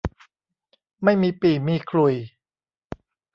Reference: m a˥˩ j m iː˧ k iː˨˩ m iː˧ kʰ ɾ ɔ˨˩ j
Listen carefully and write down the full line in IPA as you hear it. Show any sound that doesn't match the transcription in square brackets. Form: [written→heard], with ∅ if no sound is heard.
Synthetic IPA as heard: m a˥˩ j m iː˧ [k→p] iː˨˩ m iː˧ kʰ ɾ [ɔ˨˩→u˨˩] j